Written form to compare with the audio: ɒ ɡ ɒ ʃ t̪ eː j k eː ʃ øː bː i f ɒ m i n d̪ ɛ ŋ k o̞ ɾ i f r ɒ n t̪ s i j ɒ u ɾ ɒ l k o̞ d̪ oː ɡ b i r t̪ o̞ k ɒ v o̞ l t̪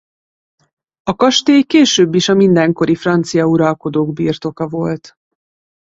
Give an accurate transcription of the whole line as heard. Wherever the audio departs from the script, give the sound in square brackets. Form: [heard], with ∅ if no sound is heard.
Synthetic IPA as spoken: ɒ [k] ɒ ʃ t̪ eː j k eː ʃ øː bː i [ʃ] ɒ m i n d̪ ɛ ŋ k o̞ ɾ i f r ɒ n t̪ s i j ɒ u ɾ ɒ l k o̞ d̪ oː ɡ b i r t̪ o̞ k ɒ v o̞ l t̪